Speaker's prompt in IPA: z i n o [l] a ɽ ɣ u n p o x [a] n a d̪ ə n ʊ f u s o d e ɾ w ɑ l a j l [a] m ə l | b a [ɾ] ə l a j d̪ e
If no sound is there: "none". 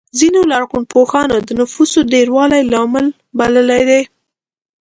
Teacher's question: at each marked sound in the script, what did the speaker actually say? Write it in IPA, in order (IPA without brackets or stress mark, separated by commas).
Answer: l, ɑ, ɑ, l